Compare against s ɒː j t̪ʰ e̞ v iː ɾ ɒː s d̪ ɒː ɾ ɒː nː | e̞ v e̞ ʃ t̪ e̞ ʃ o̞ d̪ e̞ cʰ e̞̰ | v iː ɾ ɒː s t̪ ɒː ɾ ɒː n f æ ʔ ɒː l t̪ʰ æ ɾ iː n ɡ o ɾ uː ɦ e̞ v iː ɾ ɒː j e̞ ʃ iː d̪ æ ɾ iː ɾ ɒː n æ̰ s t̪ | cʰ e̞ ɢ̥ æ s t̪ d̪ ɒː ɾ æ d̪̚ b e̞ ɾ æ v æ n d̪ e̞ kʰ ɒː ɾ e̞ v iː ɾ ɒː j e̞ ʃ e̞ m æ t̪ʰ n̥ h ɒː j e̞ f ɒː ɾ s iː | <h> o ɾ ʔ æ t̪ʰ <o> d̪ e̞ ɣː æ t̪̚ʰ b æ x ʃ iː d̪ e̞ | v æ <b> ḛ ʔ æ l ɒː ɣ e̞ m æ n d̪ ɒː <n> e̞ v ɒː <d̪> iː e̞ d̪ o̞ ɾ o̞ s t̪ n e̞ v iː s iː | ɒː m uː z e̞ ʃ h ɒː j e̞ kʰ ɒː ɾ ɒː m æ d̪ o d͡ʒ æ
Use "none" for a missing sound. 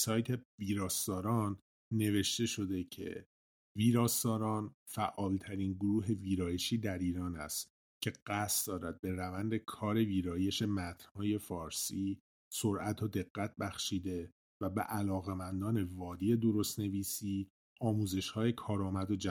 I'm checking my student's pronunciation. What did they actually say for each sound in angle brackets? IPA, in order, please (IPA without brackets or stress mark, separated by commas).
s, o, b, n, d̪